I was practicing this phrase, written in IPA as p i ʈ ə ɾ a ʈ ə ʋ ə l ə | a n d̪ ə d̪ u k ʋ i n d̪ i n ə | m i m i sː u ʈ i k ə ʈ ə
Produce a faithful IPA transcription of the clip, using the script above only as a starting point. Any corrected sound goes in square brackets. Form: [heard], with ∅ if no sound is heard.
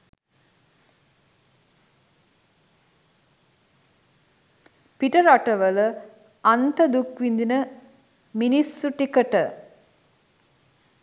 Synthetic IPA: p i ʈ ə ɾ a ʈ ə ʋ ə l ə | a n [t̪] ə d̪ u k ʋ i n d̪ i n ə | m i [n] i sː u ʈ i k ə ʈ ə